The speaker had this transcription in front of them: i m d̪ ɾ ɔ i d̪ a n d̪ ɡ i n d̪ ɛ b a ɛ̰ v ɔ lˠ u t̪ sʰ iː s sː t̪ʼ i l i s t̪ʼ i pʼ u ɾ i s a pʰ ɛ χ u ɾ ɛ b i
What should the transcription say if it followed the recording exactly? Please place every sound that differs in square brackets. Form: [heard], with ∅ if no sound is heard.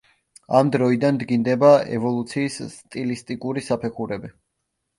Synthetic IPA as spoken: [a] m d̪ ɾ ɔ i d̪ a n d̪ ɡ i n d̪ ɛ b a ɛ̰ v ɔ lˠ u t̪ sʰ iː s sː t̪ʼ i l i s t̪ʼ i [kʼ] u ɾ i s a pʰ ɛ χ u ɾ ɛ b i